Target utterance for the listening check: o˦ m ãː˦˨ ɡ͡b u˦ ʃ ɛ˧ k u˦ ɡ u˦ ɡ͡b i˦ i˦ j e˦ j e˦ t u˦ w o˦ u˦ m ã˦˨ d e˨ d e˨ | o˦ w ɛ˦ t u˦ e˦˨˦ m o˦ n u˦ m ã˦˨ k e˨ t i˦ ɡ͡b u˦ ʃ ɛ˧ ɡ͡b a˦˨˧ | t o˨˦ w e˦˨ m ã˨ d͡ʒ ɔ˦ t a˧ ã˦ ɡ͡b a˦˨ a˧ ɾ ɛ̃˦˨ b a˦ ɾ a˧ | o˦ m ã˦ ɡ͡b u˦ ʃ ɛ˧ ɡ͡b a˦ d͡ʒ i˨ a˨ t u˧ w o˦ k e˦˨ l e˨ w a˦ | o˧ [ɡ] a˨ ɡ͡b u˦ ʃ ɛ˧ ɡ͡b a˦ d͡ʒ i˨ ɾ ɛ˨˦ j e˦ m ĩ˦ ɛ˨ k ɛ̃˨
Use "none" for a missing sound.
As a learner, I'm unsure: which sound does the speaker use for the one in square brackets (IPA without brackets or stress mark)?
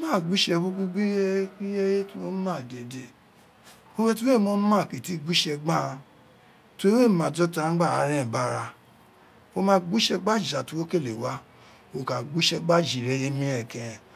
k